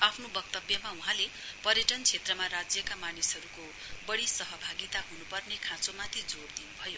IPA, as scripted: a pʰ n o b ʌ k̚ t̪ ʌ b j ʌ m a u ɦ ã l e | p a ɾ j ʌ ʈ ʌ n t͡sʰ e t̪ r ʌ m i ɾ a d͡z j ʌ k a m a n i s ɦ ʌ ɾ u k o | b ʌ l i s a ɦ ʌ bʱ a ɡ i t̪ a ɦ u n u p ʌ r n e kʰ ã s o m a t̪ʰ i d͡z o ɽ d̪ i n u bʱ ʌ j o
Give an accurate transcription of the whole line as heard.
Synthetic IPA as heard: a pʰ n o b ʌ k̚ t̪ ʌ b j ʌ m a u ɦ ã l e | p ʌ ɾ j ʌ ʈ ʌ n t͡sʰ e t̪ r ʌ m a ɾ a d͡z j ʌ k a m a n i s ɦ ʌ ɾ u k o | b ʌ ɽ i s ʌ ɦ ʌ bʱ a ɡ i t̪ a ɦ u n u p ʌ r n e kʰ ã t͡s o m a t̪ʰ i d͡z o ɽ d̪ i n u bʱ ʌ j o

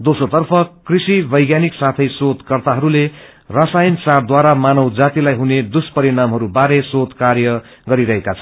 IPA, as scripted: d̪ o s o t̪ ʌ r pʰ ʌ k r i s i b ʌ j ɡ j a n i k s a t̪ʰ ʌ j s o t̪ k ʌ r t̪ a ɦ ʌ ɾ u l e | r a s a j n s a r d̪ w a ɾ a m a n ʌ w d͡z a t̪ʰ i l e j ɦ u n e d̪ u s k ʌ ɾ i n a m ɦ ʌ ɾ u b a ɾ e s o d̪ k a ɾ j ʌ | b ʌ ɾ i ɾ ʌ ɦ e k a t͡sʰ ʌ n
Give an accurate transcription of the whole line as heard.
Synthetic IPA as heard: d̪ o s o t̪ ʌ r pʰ ʌ k r i s i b ʌ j ɡ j a n i k s a t̪ʰ ʌ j s o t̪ k ʌ r t̪ a ɦ ʌ ɾ u l e | r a s a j n s a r d̪ w a ɾ a m a n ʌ w d͡z a t̪ i l a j ɦ u n e d̪ u s p ʌ ɾ i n a m ɦ ʌ ɾ u b a ɾ e s o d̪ k a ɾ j ʌ | ɡ ʌ ɾ i ɾ ʌ ɦ e k a t͡sʰ ʌ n

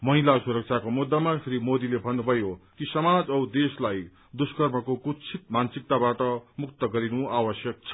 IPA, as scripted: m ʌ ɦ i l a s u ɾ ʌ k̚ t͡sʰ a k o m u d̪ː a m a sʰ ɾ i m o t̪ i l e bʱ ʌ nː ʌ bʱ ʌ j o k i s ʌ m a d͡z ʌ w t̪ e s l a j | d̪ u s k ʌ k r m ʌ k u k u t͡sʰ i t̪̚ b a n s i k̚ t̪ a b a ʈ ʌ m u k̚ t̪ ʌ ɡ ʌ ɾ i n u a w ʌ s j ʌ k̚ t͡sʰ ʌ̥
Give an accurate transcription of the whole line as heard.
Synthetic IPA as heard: m ʌ ɦ i l a s u ɾ ʌ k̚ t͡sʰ a k o m u d̪ː a m a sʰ ɾ i m o d̪ i l e bʱ ʌ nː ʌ bʱ ʌ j o k i s ʌ m a d͡z ʌ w d̪ e s l a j | d̪ u s k ʌ r m ʌ k o k u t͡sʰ i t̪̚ m a n s i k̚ t̪ a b a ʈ ʌ m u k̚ t̪ ʌ ɡ ʌ ɾ i n u a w ʌ s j ʌ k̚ t͡sʰ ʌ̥

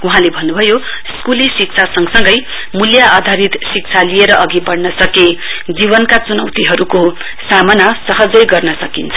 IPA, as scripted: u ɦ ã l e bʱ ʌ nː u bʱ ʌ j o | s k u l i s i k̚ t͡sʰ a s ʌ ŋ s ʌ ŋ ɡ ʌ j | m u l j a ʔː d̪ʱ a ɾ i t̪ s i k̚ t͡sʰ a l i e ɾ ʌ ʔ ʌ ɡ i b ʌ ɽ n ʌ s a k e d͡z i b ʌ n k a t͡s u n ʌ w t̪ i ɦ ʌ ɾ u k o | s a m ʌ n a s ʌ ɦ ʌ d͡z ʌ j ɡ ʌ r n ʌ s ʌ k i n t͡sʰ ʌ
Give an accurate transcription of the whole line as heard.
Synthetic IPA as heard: u ɦ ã l e bʱ ʌ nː u bʱ ʌ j o | s k u l i s i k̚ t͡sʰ a s ʌ ŋ s ʌ ŋ ɡ ʌ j | m u l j a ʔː d̪ʱ a ɾ i t̪ s i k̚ t͡sʰ a l i e ɾ ʌ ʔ ʌ ɡ i b ʌ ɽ n ʌ s ʌ k e d͡z i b ʌ n k a t͡s u n ʌ w t̪ i ɦ ʌ ɾ u k o | s a m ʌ n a s ʌ ɦ ʌ d͡z ʌ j ɡ ʌ r n ʌ s ʌ k i n t͡sʰ ʌ

